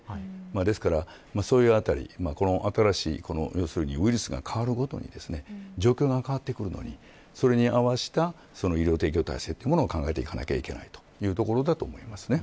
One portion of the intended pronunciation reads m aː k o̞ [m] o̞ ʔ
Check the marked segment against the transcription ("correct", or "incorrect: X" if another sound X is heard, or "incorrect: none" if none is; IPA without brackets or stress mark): incorrect: n